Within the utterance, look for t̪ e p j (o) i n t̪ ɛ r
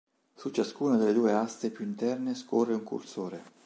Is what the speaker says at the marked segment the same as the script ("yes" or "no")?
no